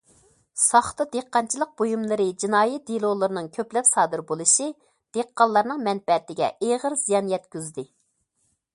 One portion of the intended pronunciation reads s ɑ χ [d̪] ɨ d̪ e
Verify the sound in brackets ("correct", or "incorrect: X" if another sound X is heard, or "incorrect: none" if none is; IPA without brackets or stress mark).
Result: incorrect: t̪